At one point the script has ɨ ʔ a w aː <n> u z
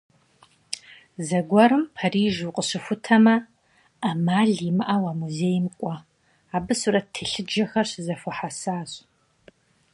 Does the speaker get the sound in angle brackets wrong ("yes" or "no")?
yes